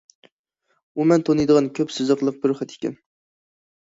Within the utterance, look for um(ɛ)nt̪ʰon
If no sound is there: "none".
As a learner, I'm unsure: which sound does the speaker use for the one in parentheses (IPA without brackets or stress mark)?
ɛ